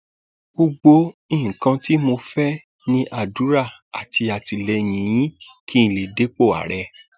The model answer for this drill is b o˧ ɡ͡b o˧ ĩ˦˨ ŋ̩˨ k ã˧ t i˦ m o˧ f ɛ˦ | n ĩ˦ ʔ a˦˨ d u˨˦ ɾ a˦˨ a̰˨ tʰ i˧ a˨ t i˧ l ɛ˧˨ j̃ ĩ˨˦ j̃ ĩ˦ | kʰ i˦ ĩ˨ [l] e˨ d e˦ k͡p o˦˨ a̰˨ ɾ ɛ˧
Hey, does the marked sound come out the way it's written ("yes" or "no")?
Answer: yes